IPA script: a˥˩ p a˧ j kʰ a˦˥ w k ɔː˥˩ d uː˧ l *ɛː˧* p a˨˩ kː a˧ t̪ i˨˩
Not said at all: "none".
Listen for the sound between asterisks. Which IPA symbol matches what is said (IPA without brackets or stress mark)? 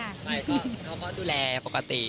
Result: ɛː˧